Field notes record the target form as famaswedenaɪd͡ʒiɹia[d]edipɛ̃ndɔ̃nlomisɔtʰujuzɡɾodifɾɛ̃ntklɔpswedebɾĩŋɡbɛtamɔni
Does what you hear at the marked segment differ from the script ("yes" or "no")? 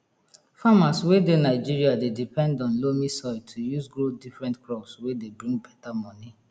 no